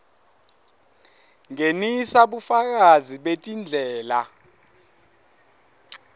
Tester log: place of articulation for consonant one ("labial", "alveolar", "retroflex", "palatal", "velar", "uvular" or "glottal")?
velar